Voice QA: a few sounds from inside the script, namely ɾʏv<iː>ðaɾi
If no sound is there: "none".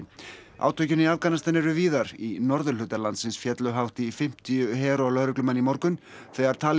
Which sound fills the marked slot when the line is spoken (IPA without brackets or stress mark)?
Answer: iː